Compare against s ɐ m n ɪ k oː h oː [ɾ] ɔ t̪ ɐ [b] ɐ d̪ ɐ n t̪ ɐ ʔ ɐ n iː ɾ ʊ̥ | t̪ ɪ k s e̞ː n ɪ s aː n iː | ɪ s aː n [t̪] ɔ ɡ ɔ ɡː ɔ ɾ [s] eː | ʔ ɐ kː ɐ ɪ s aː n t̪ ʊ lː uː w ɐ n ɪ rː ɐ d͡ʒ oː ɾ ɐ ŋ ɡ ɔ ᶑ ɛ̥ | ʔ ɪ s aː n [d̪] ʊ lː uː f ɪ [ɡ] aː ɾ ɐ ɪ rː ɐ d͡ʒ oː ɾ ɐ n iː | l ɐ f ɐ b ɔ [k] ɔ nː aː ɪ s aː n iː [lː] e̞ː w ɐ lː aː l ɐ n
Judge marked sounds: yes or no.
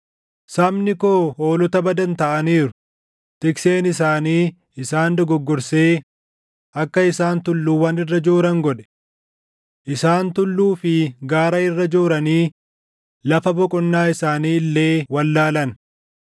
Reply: no, yes, no, yes, no, yes, no, yes

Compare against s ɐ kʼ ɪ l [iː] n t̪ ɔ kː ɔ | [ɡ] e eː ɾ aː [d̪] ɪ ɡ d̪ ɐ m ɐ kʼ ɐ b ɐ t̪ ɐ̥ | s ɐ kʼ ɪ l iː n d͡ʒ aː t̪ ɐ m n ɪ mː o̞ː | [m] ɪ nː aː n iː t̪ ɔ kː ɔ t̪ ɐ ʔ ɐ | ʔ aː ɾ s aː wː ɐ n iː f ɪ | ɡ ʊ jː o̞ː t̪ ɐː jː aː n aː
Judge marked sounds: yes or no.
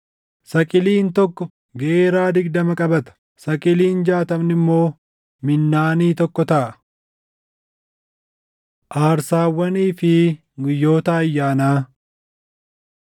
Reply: yes, yes, yes, yes

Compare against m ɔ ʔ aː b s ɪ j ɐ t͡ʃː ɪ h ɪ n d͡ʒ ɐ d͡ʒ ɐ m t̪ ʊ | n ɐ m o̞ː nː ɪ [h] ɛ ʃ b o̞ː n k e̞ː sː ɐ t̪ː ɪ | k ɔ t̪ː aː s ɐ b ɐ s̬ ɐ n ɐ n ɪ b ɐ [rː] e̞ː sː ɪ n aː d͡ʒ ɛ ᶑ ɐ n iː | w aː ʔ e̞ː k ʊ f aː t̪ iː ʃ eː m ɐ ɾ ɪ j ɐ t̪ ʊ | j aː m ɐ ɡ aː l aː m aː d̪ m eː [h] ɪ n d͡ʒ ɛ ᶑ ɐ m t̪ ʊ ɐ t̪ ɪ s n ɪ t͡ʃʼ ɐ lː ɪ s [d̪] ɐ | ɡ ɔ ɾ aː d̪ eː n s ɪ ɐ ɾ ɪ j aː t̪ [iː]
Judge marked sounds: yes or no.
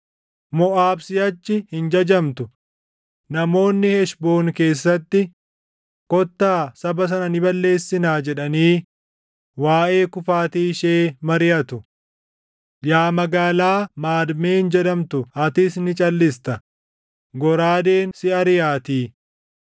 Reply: yes, no, yes, no, yes

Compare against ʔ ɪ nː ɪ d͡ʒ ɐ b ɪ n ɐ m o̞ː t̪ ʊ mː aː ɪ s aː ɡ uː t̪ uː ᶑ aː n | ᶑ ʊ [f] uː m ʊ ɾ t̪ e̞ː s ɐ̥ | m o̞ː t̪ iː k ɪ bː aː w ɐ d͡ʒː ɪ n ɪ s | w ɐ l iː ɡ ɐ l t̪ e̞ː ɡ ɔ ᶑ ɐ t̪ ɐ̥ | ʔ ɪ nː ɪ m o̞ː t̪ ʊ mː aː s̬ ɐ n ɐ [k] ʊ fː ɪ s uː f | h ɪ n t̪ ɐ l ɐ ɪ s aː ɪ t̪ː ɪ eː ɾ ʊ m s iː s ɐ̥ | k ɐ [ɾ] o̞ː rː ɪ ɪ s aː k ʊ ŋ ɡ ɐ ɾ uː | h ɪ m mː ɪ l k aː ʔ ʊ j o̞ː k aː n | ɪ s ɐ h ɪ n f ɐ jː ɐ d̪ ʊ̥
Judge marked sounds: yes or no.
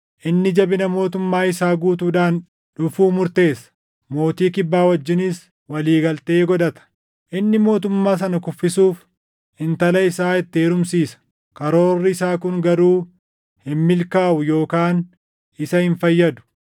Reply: yes, yes, yes

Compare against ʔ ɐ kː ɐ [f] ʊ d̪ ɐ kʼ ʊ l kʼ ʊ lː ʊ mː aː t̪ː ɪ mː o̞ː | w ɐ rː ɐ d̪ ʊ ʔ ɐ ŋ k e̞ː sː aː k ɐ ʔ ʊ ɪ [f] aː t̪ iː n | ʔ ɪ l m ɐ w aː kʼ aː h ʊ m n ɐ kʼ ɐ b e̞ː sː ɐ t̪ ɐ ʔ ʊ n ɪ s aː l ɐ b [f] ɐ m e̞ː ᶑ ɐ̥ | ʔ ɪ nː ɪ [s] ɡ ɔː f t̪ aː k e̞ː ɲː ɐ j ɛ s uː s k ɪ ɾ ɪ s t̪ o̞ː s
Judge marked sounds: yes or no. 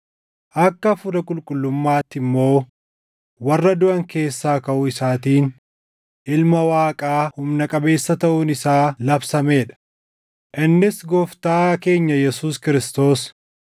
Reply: yes, no, no, yes

